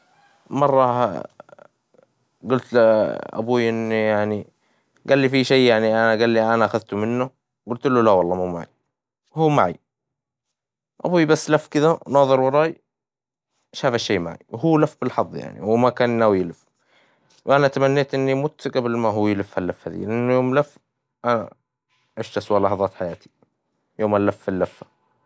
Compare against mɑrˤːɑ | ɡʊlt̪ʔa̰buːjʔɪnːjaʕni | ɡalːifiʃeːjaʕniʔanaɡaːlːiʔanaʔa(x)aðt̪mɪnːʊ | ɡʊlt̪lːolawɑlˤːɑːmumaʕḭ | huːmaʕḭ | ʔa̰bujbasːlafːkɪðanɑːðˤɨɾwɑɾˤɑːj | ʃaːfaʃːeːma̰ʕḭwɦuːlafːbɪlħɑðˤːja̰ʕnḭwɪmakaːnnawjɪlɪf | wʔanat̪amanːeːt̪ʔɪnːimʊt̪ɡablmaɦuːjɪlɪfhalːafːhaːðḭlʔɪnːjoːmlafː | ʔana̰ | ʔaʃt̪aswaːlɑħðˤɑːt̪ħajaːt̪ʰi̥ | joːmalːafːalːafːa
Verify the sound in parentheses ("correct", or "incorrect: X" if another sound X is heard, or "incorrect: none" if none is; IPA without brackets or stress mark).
correct